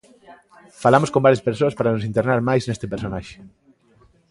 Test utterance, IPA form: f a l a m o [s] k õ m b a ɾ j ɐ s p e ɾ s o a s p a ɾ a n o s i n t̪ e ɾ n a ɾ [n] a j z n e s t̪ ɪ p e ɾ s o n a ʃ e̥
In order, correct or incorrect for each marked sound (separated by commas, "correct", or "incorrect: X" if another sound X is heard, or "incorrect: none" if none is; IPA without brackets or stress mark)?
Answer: correct, incorrect: m